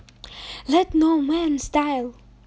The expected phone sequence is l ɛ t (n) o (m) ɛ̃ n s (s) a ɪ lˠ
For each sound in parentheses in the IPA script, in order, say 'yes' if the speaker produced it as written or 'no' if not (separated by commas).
yes, yes, no